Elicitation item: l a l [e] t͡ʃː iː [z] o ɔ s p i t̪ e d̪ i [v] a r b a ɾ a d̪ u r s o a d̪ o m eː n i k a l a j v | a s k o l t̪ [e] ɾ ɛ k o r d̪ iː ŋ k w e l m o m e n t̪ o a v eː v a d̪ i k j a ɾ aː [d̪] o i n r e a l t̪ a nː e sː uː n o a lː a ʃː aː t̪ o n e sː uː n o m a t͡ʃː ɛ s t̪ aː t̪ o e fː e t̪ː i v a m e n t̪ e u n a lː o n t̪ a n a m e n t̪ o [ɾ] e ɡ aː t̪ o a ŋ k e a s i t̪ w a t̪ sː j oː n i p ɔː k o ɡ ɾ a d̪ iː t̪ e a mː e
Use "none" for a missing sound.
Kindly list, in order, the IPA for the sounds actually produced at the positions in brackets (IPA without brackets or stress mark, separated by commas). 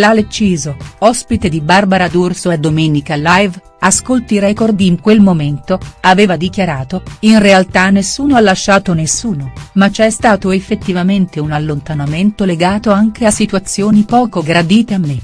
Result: e, z, b, i, t̪, l